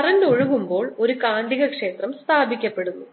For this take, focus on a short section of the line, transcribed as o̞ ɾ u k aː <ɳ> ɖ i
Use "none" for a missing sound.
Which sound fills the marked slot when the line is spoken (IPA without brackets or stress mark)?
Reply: ɳ